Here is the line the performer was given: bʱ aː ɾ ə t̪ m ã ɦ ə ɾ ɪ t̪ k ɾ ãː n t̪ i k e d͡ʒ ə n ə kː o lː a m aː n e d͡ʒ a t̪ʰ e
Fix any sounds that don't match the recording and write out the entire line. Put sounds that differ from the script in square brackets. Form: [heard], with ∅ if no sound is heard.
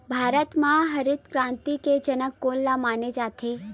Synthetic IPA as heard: bʱ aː ɾ ə t̪ m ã ɦ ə ɾ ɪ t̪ k ɾ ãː n t̪ i k e d͡ʒ ə n ə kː o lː a m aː n e d͡ʒ a t̪ʰ e